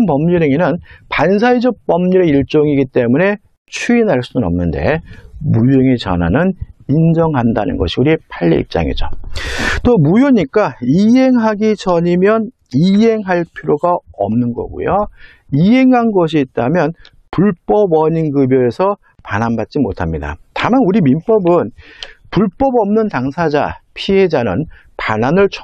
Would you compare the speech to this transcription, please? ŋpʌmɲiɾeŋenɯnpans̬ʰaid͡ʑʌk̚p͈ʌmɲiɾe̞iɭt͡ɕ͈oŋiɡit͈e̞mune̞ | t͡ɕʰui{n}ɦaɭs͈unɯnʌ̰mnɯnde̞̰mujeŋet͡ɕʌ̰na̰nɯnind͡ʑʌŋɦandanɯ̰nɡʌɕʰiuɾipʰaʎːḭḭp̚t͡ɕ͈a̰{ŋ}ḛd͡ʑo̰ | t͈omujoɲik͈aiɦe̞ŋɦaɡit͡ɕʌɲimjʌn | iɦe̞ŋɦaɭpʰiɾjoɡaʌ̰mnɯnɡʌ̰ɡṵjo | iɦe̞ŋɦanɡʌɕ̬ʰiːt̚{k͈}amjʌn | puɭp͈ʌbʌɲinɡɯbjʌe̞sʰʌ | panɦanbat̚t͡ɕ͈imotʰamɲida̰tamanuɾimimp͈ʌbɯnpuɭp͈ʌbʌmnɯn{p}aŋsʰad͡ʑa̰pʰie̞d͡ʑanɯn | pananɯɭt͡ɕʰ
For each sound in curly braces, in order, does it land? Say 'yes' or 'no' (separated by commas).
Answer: yes, yes, no, no